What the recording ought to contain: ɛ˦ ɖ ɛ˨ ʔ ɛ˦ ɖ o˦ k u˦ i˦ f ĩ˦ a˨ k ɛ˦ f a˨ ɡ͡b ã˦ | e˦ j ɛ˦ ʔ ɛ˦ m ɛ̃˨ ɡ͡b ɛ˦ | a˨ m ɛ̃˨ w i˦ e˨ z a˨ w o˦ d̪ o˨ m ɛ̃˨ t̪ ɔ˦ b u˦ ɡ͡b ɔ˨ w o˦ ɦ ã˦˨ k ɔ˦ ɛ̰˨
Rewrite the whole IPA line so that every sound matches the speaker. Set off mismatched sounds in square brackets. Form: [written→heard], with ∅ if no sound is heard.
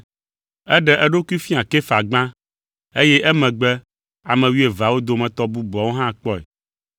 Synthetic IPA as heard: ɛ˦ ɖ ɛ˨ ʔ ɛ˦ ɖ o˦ k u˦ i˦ f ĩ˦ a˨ k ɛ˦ f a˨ ɡ͡b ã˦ | e˦ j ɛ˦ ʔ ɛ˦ m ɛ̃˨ ɡ͡b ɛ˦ | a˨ m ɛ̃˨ w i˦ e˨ [z→v] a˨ w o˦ d̪ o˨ m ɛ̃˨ t̪ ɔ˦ b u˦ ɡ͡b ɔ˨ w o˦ ɦ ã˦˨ [k→k͡p] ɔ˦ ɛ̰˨